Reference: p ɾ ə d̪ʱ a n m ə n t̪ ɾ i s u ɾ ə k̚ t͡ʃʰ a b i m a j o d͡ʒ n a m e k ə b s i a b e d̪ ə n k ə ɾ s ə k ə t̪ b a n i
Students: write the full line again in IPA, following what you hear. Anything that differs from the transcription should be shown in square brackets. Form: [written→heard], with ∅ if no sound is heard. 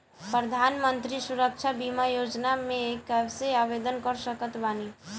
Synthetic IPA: p ɾ ə d̪ʱ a n m ə n t̪ ɾ i s u ɾ ə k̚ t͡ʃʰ a b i m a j o d͡ʒ n a m e k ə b s [i→e] a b e d̪ ə n k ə ɾ s ə k ə t̪ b a n i